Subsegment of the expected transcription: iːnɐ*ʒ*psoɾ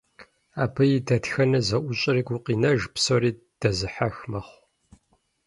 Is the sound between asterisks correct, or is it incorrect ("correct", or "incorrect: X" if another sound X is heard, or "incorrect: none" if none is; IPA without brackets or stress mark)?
correct